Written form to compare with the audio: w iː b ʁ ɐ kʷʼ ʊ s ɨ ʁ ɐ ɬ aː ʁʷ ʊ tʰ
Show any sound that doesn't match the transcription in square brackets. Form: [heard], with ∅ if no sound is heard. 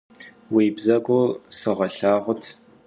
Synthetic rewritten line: w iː b [z] ɐ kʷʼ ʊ s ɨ ʁ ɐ ɬ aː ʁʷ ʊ tʰ